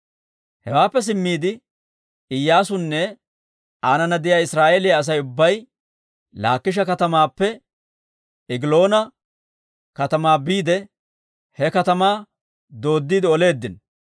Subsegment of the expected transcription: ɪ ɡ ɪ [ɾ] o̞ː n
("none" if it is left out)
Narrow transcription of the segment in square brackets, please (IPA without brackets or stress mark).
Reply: l